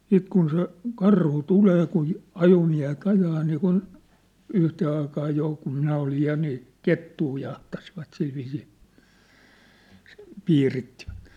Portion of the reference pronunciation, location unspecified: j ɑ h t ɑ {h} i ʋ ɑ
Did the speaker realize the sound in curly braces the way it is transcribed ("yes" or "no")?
no